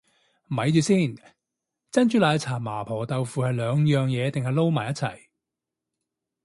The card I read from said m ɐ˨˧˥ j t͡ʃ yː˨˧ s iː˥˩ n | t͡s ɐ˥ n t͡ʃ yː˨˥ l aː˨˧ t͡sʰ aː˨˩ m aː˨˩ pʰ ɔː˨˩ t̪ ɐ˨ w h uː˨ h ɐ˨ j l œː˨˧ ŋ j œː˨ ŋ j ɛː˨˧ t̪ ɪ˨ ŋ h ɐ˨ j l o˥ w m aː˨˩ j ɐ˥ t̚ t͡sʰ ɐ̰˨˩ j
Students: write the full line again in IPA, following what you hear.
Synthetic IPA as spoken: m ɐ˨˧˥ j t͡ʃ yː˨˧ s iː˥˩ n | t͡s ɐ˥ n t͡ʃ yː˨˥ l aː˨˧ t͡sʰ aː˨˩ m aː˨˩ pʰ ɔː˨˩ t̪ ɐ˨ w f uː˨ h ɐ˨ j l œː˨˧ ŋ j œː˨ ŋ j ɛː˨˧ t̪ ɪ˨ ŋ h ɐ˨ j l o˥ w m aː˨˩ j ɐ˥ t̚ t͡sʰ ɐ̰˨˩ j